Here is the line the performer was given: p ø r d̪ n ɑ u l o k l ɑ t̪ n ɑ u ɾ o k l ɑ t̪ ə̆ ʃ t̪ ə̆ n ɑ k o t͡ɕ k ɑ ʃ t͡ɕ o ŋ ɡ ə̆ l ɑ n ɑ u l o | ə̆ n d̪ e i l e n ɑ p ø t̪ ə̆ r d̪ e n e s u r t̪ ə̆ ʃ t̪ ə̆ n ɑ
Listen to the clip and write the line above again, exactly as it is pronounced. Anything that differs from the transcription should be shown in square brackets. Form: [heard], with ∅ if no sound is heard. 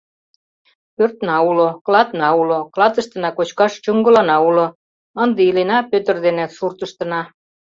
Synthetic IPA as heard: p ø r [t̪] n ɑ u l o k l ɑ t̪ n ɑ u [l] o k l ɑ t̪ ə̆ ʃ t̪ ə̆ n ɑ k o t͡ɕ k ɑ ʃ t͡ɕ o ŋ ɡ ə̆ l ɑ n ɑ u l o | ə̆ n d̪ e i l e n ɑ p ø t̪ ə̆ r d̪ e n e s u r t̪ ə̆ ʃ t̪ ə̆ n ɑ

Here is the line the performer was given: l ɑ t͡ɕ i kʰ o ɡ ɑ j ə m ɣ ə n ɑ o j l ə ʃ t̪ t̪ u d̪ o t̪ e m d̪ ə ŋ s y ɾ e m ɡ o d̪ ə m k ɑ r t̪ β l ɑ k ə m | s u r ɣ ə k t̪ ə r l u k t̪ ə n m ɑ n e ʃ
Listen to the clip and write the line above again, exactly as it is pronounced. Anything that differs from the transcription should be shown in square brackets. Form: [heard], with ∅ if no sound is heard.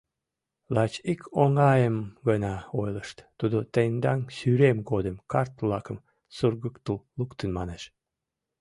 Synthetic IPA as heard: l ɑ t͡ɕ i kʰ o [ŋ] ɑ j ə m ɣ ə n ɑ o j l ə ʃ t̪ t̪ u d̪ o t̪ e [n] d̪ [ɑ] ŋ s y ɾ e m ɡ o d̪ ə m k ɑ r t̪ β l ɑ k ə m | s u r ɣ ə k t̪ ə [l] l u k t̪ ə n m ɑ n e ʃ

